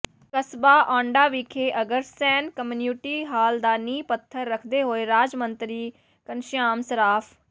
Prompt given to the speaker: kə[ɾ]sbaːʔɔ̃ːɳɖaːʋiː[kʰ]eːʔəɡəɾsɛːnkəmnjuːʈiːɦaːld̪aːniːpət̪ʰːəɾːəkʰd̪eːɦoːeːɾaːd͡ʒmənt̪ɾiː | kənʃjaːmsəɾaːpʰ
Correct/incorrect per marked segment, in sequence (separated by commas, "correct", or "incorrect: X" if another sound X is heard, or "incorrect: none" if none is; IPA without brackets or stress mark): incorrect: none, correct